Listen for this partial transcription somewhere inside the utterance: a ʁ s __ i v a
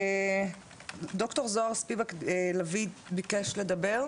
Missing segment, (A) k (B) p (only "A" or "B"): B